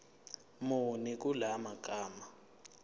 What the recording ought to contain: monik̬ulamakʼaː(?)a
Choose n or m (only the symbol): m